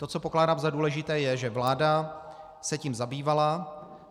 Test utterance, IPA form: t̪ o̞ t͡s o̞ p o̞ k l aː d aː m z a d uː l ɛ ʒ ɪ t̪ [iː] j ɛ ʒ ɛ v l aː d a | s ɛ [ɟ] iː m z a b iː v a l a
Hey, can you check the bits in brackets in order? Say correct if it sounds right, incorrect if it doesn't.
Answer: incorrect, incorrect

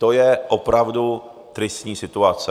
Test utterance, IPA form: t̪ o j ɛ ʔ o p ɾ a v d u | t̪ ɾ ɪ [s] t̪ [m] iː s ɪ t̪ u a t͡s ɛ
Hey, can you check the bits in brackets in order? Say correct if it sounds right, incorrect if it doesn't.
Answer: correct, incorrect

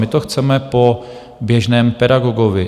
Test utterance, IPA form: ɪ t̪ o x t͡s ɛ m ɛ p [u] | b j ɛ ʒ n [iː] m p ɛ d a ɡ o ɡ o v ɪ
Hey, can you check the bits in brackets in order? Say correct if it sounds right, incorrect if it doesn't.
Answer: incorrect, incorrect

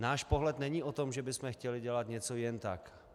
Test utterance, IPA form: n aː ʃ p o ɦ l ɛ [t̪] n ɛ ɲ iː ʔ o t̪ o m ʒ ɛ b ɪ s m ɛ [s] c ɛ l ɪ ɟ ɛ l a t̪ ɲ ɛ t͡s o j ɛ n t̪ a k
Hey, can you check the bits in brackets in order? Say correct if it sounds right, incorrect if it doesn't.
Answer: correct, incorrect

